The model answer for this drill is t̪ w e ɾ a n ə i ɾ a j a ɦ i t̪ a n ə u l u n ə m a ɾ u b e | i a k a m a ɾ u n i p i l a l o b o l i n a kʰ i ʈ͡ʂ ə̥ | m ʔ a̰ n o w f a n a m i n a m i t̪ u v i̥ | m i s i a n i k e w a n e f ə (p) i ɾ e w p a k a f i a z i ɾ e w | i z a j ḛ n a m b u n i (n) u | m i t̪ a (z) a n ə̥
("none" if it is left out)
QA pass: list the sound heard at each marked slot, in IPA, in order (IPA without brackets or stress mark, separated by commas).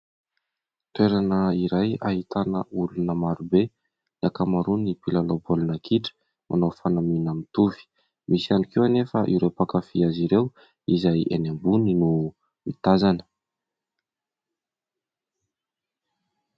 ʔ, n, z